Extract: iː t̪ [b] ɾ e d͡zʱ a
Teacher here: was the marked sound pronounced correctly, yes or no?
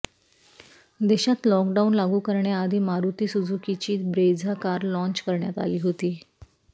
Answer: yes